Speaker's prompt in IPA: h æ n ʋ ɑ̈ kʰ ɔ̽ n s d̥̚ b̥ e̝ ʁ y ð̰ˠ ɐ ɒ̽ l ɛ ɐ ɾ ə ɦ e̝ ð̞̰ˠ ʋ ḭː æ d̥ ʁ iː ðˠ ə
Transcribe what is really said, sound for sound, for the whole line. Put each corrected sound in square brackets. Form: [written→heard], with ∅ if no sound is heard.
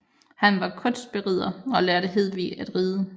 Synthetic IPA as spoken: h æ n ʋ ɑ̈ kʰ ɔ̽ n s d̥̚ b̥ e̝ ʁ [y→i] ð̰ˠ ɐ ɒ̽ l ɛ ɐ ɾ ə ɦ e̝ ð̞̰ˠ ʋ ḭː æ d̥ ʁ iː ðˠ ə